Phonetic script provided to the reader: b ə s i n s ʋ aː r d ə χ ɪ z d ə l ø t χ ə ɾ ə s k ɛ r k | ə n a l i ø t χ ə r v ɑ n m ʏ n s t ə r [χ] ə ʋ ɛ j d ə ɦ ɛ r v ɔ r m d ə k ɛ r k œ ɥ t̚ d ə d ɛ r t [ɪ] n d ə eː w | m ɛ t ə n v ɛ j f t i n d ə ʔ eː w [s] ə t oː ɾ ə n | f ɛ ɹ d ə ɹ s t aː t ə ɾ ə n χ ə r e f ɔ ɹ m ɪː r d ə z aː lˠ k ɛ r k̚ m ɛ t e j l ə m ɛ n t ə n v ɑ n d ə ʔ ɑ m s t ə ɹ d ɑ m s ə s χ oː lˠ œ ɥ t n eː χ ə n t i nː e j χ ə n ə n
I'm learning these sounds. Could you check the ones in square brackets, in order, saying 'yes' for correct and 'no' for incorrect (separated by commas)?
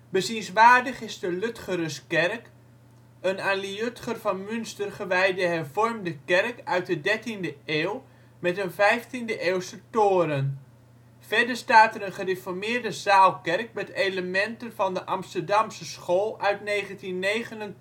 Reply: yes, no, yes